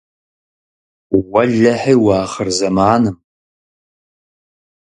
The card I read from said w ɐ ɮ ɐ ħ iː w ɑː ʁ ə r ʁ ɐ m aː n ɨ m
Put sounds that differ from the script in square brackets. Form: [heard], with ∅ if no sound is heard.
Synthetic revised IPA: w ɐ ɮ ɐ ħ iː w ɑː [χ] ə r [z] ɐ m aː n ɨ m